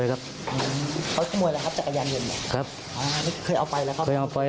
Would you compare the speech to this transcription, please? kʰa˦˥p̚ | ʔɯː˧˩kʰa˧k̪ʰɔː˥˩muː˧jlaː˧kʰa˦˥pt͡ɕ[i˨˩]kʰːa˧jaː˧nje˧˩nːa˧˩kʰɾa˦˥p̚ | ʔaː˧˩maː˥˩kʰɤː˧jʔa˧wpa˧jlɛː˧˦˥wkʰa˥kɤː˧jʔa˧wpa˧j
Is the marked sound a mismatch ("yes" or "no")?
yes